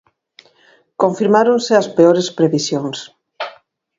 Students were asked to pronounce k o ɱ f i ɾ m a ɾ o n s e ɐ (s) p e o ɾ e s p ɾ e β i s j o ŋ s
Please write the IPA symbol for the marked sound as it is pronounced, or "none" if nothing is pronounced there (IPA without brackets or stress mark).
s